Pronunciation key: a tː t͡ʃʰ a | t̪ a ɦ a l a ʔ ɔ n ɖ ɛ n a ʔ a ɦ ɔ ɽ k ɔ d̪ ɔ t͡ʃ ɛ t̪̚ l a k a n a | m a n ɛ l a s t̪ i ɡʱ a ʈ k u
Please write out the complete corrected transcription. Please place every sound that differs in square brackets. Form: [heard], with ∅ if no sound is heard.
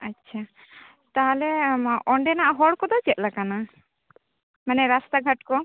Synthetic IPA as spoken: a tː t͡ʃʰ a | t̪ a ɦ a l [ɛ] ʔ ɔ [ɳ] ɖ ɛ n a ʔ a ɦ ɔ ɽ k ɔ d̪ ɔ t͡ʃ ɛ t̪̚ l a k a n a | m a n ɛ [ɾ] a s t̪ [a] ɡʱ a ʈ k [ɔ]